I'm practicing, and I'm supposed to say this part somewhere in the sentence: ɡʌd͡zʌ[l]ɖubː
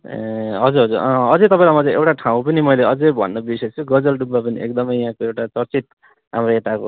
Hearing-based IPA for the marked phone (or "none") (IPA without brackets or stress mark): l